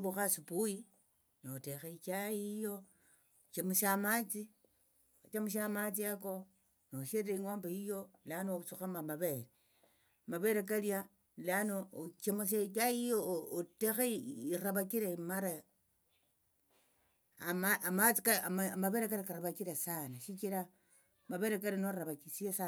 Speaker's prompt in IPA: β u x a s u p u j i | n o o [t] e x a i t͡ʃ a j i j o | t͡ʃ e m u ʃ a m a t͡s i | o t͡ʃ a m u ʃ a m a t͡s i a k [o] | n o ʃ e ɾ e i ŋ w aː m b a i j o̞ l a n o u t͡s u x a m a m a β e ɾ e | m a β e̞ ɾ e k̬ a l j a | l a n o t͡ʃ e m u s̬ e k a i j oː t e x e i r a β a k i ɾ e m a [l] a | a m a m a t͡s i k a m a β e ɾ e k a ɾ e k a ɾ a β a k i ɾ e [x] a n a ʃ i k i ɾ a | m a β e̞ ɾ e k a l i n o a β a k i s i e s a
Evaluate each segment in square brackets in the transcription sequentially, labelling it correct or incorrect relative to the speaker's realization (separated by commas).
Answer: correct, correct, incorrect, incorrect